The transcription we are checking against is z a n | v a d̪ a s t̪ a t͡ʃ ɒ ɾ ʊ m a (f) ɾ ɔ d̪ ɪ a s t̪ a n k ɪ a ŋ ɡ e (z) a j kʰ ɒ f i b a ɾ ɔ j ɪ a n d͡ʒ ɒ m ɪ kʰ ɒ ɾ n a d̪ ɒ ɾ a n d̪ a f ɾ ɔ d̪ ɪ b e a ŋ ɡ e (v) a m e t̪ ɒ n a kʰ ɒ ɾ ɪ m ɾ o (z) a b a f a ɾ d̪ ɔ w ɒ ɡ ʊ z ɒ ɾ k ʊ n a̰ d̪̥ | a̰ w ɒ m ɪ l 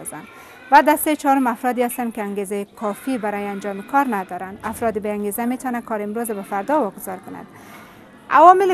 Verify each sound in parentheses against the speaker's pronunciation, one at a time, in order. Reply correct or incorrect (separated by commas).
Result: correct, correct, incorrect, correct